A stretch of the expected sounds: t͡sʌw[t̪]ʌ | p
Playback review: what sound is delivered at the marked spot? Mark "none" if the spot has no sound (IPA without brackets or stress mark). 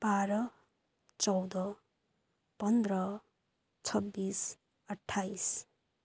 d̪